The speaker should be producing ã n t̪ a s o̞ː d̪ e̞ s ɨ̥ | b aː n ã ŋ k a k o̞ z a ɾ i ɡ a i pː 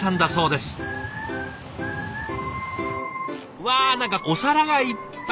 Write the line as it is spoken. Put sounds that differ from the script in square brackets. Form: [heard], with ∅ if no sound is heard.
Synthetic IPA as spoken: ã n [d̪] a s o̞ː d̪ e̞ s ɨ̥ | [β] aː n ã ŋ k a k o̞ [s] a ɾ [a] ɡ a i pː